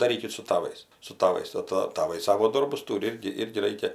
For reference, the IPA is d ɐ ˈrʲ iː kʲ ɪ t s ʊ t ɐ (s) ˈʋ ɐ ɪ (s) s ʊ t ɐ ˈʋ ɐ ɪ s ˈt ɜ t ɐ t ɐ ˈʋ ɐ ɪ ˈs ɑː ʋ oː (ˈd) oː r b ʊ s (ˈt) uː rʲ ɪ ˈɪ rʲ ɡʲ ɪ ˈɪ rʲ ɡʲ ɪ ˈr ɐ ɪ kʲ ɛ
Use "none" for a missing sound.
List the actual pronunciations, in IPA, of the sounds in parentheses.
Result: none, s, d, t

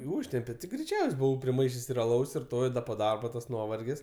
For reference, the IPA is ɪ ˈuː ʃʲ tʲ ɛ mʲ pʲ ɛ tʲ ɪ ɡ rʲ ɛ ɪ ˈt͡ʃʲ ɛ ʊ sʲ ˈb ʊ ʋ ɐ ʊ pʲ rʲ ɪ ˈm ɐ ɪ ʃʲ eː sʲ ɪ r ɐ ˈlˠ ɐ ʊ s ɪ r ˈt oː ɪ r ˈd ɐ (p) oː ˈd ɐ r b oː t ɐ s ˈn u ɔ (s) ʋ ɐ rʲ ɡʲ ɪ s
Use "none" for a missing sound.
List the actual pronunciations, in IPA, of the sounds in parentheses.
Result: p, none

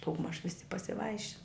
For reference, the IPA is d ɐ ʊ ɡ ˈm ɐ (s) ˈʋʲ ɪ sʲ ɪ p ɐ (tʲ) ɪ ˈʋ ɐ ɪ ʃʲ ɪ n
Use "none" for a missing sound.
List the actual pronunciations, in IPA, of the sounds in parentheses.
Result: ʃ, sʲ

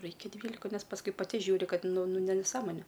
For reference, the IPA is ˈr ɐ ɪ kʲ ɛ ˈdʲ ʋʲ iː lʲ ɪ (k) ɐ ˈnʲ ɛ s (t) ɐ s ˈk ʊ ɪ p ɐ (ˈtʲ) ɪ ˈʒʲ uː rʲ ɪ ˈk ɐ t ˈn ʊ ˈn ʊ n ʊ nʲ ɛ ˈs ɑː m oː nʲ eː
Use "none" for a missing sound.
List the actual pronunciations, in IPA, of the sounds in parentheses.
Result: k, p, tʲ

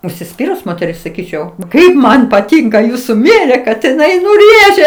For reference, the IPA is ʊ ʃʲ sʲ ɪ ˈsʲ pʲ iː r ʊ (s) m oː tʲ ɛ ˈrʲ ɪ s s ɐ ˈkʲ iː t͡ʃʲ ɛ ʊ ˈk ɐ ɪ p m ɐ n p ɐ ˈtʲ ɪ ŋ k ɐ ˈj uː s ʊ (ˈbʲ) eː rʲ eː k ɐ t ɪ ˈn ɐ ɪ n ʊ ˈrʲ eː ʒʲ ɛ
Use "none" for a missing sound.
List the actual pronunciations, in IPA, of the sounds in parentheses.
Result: s, mʲ

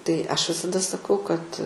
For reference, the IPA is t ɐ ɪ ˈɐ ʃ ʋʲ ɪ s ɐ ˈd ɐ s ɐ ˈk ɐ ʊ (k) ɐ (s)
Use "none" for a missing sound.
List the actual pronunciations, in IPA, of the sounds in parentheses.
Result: k, t

